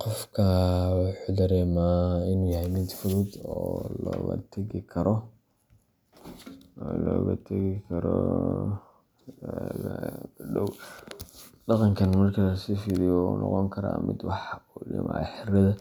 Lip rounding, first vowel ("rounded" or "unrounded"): rounded